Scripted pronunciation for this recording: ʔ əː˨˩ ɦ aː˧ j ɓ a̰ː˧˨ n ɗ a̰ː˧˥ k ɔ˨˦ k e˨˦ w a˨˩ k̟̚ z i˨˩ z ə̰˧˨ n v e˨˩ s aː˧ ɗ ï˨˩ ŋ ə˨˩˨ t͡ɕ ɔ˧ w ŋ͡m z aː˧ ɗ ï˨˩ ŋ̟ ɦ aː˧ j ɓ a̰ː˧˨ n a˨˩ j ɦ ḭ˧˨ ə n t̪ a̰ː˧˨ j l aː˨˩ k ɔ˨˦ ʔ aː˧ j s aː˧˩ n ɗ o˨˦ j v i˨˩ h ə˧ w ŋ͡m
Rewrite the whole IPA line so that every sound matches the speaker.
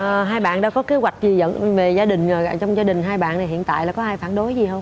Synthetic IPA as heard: ʔ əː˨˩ ɦ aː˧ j ɓ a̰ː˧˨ n ɗ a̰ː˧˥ k ɔ˨˦ k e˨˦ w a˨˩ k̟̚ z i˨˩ z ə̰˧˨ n v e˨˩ z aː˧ ɗ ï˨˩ ŋ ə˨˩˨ t͡ɕ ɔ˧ w ŋ͡m z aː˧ ɗ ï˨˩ ŋ̟ ɦ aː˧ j ɓ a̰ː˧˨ n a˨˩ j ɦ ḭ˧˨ ə n t̪ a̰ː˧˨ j l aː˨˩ k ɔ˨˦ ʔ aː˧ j f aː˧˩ n ɗ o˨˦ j z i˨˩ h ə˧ w ŋ͡m